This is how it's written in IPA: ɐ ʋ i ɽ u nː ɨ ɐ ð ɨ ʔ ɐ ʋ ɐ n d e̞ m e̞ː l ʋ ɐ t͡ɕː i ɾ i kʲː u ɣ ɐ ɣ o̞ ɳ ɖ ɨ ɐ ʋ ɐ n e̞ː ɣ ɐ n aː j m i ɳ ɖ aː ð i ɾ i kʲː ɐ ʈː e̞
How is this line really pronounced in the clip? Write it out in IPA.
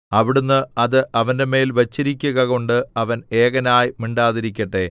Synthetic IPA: ɐ ʋ i ɽ u nː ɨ ɐ ð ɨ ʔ ɐ ʋ ɐ n d e̞ m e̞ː l ʋ ɐ t͡ɕː i ɾ i kʲː u ɣ ɐ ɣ o̞ ɳ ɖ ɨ ɐ ʋ ɐ n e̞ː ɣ ɐ n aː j m i ɳ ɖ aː ð i ɾ i kʲː ɐ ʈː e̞